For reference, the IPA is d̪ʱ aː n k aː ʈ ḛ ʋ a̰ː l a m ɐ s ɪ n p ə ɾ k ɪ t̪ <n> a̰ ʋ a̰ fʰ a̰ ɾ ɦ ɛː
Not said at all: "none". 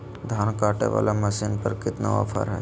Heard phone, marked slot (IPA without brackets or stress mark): n